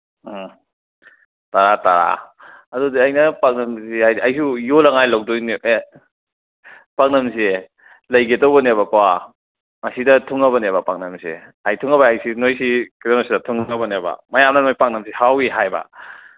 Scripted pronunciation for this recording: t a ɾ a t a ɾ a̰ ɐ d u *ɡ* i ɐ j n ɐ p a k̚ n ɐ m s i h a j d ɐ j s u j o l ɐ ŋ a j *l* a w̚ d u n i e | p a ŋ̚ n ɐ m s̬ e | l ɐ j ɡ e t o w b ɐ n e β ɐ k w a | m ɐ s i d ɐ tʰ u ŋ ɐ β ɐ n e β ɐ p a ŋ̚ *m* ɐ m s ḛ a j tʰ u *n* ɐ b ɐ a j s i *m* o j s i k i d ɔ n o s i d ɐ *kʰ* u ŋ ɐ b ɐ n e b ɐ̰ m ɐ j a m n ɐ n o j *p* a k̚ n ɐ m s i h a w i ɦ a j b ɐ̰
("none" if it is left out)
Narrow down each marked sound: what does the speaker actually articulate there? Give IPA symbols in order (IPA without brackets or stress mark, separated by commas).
d, l, n, ŋ, n, tʰ, p